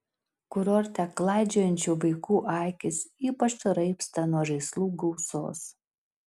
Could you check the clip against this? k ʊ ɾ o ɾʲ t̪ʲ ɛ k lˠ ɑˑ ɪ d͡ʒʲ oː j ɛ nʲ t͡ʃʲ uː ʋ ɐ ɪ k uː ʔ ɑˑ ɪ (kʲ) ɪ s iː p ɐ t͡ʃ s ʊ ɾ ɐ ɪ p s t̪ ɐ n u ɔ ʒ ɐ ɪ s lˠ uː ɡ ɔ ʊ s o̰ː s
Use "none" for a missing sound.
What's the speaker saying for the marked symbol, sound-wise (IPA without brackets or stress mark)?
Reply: kʲ